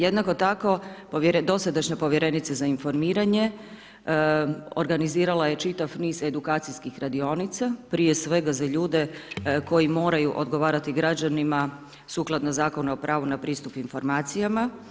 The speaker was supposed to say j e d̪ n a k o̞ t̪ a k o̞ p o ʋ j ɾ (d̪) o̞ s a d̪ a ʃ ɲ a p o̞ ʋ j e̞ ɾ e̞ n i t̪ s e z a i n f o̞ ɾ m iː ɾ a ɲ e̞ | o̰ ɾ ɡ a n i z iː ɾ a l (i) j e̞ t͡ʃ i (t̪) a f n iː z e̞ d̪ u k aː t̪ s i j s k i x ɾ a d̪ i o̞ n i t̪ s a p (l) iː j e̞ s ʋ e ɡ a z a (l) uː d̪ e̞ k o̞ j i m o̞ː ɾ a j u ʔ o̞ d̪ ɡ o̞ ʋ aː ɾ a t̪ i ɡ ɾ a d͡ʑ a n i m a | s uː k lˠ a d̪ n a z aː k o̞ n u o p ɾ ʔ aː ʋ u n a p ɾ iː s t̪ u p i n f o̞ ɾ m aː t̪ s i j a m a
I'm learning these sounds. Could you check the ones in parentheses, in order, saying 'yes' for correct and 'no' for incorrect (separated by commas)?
yes, no, yes, no, no